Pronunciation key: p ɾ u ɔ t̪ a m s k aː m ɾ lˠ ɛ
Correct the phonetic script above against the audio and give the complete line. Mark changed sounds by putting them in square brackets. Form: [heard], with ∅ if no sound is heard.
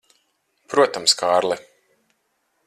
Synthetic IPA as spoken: p ɾ u ɔ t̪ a m s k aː [∅] ɾ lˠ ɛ